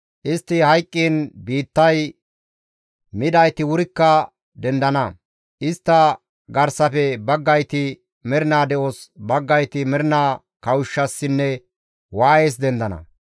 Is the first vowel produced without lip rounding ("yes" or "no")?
yes